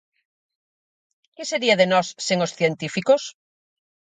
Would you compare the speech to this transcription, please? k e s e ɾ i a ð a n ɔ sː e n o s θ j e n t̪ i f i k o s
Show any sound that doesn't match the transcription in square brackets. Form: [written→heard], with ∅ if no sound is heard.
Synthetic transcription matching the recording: k e s e ɾ i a ð [a→e] n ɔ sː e [n→ŋ] o s θ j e n t̪ i f i k o s